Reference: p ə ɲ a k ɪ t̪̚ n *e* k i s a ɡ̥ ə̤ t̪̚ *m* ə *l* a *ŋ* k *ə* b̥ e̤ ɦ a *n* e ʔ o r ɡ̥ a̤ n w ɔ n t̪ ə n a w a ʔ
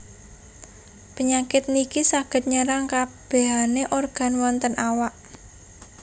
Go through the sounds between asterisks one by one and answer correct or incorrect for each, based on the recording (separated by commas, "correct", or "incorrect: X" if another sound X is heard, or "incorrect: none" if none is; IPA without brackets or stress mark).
incorrect: i, incorrect: ɲ, incorrect: ɾ, correct, incorrect: a, correct